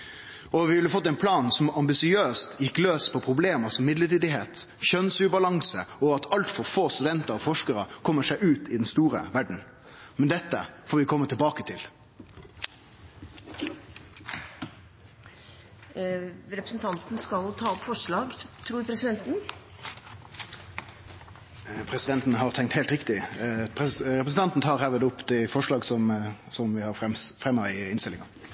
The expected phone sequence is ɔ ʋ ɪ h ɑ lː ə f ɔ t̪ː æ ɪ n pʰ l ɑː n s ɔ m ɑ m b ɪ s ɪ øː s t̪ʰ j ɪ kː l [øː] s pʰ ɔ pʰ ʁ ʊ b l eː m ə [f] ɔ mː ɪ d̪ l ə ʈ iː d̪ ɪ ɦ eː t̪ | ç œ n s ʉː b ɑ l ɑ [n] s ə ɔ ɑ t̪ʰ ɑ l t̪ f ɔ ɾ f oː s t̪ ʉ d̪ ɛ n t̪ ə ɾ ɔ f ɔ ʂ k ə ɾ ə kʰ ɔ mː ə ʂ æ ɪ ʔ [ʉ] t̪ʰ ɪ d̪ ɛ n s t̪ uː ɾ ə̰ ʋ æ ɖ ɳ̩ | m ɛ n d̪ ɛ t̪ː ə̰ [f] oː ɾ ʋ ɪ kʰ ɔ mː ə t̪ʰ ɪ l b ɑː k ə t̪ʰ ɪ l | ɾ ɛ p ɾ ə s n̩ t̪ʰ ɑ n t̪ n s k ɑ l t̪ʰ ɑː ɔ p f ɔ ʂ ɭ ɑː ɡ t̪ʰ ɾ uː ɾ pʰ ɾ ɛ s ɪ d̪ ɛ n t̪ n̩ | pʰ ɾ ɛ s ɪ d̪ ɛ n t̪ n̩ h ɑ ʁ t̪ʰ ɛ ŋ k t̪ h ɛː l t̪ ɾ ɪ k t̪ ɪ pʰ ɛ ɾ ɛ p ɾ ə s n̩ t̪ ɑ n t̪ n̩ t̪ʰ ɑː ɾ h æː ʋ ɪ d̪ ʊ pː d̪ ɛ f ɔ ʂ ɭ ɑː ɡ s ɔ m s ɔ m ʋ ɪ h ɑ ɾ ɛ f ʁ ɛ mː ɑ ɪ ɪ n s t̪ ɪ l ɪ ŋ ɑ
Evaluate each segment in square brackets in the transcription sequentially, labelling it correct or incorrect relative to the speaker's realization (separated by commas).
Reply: correct, incorrect, incorrect, incorrect, correct